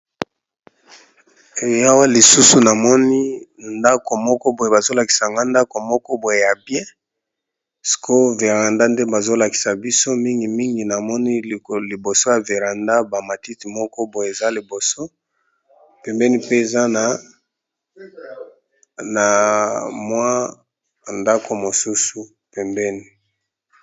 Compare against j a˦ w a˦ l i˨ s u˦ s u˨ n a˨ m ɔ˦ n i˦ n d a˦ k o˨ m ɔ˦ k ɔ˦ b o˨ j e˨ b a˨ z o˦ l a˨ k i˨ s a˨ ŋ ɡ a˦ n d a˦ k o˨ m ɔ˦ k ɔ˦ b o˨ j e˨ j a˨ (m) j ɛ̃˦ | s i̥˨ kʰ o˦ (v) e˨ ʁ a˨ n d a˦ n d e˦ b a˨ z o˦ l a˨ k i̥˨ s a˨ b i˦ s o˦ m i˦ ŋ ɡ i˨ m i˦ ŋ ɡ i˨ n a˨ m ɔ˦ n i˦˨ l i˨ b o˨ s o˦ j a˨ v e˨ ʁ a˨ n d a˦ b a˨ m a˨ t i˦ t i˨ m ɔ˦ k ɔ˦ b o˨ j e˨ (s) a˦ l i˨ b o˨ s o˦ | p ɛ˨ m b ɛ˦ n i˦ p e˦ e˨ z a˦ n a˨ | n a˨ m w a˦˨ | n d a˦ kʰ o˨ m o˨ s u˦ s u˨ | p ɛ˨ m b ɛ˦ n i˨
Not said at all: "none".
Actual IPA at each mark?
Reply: b, v, z

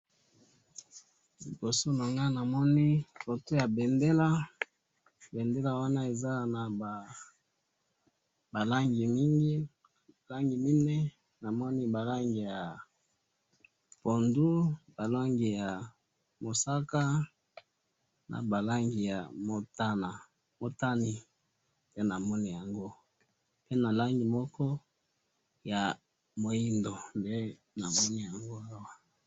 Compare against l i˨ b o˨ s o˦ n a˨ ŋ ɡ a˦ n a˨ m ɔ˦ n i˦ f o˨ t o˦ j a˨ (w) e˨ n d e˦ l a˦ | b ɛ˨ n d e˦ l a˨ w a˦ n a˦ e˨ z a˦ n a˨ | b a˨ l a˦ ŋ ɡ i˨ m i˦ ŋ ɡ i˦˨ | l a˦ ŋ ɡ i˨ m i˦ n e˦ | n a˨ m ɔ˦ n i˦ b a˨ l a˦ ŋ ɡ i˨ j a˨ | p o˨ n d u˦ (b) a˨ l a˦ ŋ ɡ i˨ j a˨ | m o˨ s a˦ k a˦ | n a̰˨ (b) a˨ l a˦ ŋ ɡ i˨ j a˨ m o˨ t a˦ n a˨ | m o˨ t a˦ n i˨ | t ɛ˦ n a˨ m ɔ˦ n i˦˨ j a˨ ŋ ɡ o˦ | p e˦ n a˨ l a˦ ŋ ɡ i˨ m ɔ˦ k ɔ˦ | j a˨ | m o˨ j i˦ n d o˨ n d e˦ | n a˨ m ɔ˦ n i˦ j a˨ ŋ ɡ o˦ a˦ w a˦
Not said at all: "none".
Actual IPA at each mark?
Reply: b, b, b

